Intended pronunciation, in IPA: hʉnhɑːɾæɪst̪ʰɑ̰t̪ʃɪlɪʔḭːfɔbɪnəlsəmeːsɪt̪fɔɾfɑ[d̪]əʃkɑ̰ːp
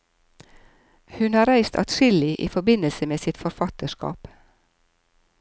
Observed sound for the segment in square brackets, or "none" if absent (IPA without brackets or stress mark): t̪